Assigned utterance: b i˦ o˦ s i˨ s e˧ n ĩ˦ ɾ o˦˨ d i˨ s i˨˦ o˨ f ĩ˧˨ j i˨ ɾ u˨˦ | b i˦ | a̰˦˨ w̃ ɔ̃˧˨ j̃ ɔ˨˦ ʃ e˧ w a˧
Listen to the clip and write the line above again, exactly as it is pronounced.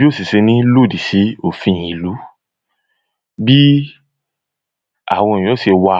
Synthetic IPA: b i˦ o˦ s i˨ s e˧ n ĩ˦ l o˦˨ d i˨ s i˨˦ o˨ f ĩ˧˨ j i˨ l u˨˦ | b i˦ | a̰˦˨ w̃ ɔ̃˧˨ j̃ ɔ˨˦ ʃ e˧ w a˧

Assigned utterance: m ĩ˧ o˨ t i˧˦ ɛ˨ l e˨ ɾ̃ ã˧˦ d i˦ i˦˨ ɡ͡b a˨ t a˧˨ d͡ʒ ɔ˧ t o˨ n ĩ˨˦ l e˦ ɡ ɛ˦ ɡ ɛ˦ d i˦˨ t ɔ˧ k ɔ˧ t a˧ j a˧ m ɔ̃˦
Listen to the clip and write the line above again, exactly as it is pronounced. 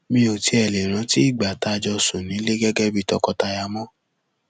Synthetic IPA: m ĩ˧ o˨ t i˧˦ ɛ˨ l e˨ ɾ̃ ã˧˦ t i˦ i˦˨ ɡ͡b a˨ t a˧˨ d͡ʒ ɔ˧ s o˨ n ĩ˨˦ l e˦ ɡ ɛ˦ ɡ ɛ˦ b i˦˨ t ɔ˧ k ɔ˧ t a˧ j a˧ m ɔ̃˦

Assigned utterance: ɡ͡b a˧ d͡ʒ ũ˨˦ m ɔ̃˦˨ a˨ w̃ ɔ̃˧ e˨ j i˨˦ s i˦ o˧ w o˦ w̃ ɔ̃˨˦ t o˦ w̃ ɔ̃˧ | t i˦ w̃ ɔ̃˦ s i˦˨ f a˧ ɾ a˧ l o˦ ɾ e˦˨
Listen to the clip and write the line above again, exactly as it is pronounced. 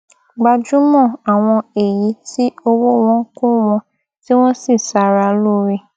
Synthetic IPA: ɡ͡b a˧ d͡ʒ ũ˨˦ m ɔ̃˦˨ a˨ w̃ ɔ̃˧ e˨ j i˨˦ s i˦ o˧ w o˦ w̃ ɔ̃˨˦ k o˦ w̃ ɔ̃˧ | t i˦ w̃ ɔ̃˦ s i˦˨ s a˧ ɾ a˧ l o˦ ɾ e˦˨

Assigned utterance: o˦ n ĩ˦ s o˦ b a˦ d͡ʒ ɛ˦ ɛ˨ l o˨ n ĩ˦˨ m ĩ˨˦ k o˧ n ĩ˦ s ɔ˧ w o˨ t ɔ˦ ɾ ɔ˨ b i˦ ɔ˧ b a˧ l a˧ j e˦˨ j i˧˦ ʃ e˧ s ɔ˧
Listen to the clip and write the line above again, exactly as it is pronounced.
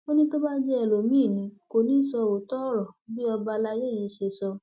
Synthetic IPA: o˦ n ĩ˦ t o˦ b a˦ d͡ʒ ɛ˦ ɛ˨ l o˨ m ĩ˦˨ n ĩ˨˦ k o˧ n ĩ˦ s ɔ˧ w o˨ t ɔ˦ ɾ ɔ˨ b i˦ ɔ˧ b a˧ l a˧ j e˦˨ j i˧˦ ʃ e˧ s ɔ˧

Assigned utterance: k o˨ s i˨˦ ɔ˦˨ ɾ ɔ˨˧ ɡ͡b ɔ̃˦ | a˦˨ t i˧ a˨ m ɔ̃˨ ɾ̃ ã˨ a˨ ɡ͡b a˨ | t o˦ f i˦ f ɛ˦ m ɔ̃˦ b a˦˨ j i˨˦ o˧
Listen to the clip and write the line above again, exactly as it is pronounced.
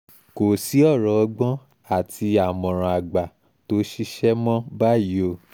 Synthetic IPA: k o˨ s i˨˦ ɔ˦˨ ɾ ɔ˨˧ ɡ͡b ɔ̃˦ | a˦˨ t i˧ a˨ m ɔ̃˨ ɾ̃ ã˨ a˨ ɡ͡b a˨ | t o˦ ʃ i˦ ʃ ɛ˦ m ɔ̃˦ b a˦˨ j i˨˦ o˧

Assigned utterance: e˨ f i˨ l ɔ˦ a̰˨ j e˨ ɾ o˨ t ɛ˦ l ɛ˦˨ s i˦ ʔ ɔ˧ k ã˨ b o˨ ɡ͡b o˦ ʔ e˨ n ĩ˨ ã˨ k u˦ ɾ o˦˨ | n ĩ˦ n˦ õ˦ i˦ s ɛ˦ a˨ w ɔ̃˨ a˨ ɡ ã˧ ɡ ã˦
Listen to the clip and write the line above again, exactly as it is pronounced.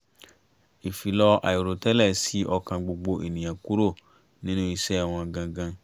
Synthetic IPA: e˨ f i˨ l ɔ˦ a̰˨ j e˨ ɾ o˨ t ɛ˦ l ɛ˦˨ s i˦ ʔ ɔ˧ k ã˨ ɡ͡b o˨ ɡ͡b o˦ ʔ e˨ n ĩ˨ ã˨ k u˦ ɾ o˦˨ | n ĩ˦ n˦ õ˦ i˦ s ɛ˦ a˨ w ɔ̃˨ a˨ ɡ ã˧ ɡ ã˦

